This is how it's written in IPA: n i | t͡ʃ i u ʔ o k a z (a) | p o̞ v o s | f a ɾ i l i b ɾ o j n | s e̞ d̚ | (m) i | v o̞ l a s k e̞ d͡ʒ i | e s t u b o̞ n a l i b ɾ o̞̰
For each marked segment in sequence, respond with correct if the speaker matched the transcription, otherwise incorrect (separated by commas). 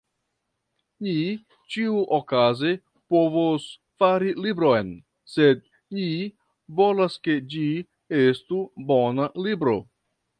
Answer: incorrect, incorrect